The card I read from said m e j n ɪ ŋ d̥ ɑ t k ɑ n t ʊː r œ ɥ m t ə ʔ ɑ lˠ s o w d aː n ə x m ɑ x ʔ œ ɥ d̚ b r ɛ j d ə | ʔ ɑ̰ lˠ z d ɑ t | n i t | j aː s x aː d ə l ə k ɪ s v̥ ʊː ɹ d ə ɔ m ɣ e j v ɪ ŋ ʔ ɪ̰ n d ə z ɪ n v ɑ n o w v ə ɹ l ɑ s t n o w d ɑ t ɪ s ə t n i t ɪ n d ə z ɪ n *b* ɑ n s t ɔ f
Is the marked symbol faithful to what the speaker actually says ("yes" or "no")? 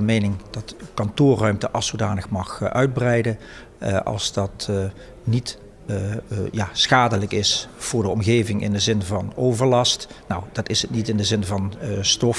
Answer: no